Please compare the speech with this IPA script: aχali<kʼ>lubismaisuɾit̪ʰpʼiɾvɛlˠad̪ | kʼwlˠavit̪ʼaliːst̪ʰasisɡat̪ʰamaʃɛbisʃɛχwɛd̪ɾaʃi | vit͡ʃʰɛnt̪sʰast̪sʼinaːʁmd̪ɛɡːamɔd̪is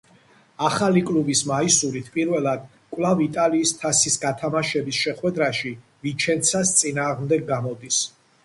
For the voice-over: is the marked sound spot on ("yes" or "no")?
yes